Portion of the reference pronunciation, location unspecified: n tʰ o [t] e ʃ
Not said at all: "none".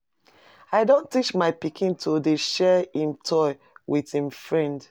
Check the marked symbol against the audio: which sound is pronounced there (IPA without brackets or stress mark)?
d